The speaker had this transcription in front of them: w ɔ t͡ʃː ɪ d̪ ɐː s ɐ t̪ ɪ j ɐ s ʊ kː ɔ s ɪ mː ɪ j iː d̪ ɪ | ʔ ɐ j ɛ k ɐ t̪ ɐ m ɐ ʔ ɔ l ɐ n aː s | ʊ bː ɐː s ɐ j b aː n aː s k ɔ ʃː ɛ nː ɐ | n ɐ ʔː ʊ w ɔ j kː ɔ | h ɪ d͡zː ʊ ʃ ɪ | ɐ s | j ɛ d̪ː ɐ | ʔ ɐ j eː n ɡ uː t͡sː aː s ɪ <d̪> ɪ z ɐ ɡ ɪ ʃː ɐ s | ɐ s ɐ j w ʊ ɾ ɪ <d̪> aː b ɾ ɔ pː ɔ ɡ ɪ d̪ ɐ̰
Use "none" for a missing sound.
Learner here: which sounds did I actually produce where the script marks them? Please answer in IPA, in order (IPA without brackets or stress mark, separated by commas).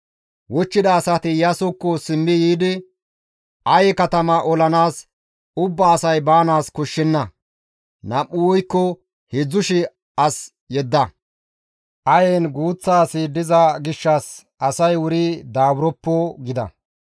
d̪, d̪